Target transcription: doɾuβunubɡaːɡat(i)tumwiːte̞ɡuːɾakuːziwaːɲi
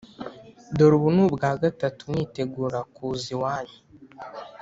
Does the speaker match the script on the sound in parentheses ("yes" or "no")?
no